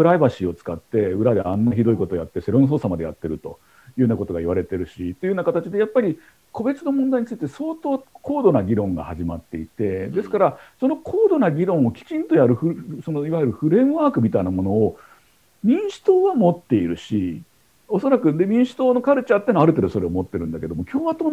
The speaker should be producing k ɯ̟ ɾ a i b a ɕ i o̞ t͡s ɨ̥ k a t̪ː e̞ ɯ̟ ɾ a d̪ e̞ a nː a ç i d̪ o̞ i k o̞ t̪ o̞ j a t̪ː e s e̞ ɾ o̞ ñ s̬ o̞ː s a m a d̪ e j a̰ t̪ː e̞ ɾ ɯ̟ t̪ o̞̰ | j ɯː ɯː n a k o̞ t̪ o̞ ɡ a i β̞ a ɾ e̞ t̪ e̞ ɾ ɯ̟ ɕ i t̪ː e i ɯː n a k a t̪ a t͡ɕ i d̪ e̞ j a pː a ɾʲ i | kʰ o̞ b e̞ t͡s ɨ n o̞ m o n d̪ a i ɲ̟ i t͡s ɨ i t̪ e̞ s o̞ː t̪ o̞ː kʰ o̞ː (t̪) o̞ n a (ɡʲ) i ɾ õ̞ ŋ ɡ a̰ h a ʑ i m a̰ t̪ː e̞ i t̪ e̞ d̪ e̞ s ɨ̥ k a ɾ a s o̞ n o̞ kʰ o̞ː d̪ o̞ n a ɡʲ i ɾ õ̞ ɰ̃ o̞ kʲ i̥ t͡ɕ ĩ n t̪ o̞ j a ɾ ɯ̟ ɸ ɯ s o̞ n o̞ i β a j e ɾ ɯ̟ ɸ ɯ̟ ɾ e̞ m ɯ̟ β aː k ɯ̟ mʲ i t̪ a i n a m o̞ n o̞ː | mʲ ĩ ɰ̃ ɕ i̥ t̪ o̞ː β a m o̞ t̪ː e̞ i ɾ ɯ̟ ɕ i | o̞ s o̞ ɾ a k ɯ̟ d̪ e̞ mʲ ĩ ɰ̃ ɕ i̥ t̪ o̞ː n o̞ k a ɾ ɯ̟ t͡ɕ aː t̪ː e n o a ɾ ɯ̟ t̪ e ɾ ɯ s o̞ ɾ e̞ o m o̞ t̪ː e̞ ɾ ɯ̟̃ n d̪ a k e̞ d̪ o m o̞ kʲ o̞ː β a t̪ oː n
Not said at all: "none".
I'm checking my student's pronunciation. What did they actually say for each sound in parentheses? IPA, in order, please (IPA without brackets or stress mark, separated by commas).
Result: d̪, ɡʲ